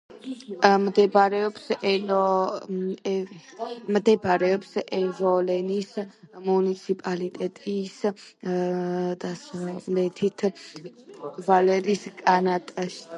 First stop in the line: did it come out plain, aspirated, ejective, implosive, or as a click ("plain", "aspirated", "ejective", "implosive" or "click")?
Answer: plain